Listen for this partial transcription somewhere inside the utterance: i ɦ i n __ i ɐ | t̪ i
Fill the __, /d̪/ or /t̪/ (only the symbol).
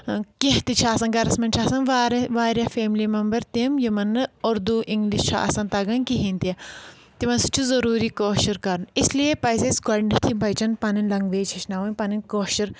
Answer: t̪